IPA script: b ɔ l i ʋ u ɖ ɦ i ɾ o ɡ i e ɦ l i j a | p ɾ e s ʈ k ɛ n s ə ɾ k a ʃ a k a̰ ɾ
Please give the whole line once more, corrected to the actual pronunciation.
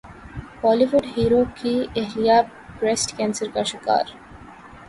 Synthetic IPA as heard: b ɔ l i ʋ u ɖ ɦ i ɾ o k i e ɦ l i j a | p ɾ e s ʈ k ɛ n s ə ɾ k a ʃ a k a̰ ɾ